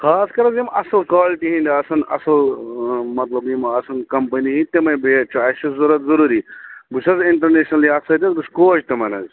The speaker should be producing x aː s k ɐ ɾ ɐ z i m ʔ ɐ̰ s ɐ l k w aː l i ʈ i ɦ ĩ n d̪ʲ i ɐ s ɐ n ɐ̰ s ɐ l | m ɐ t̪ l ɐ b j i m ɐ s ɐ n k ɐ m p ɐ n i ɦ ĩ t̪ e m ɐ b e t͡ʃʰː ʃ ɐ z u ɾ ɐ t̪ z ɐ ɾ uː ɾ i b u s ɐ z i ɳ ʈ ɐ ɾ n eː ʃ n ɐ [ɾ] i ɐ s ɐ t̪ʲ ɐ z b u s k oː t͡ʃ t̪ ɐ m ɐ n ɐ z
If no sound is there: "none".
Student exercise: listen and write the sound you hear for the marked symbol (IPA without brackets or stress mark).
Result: l